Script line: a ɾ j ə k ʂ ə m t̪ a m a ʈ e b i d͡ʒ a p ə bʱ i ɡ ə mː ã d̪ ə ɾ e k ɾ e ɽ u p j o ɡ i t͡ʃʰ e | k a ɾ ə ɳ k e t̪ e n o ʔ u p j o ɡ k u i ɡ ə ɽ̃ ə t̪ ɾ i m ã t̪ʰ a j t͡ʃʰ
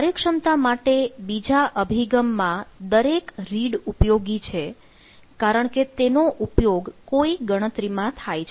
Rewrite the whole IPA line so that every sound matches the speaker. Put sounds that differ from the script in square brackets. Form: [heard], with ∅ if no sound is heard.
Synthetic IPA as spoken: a ɾ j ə k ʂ ə m t̪ a m a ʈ e b i d͡ʒ a [ʔ] ə bʱ i ɡ ə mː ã d̪ ə ɾ e k ɾ [i] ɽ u p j o ɡ i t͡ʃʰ e | k a ɾ ə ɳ k e t̪ e n o ʔ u p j o ɡ k [o] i ɡ ə ɽ̃ ə t̪ ɾ i m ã t̪ʰ a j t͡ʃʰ